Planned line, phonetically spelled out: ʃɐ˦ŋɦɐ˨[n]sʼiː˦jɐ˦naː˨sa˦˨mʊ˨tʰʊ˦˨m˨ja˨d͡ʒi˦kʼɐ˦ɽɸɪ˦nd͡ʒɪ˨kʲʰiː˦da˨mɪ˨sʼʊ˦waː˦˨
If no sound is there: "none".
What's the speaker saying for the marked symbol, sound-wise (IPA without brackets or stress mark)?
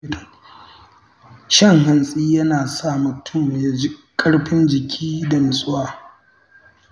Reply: n